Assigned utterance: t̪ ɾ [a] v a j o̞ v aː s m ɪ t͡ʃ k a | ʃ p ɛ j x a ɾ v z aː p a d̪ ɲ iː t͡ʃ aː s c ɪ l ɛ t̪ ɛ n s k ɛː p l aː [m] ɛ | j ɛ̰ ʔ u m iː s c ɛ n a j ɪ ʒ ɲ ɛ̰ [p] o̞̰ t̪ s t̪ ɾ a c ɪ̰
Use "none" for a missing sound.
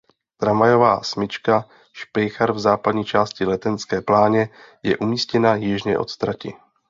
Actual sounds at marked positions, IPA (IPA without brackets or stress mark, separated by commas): a, ɲ, ʔ